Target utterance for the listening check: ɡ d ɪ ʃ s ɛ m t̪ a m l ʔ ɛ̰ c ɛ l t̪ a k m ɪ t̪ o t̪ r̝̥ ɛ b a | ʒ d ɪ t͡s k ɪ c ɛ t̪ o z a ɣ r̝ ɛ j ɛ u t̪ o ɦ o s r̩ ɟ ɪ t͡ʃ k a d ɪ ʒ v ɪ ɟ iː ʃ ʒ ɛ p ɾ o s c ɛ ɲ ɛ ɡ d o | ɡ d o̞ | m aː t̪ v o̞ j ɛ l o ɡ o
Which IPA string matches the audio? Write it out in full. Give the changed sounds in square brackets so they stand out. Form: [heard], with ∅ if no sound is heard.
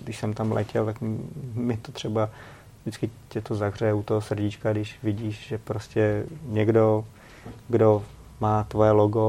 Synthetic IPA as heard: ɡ d ɪ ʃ s ɛ m t̪ a m l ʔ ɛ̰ c ɛ l t̪ a k m ɪ t̪ o t̪ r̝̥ ɛ b a | ʒ d ɪ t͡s k ɪ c ɛ t̪ o z a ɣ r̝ ɛ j ɛ u t̪ o ɦ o s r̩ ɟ ɪ t͡ʃ k a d ɪ [ʃ] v ɪ ɟ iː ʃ ʒ ɛ p ɾ o s c ɛ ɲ ɛ ɡ d o | ɡ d o̞ | m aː t̪ v o̞ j ɛ l o ɡ o